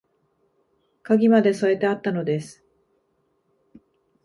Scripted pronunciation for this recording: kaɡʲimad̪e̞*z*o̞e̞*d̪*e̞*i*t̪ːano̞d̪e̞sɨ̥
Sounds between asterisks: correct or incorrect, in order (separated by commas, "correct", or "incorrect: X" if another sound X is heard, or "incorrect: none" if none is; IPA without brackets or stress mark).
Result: incorrect: s, incorrect: t̪, incorrect: a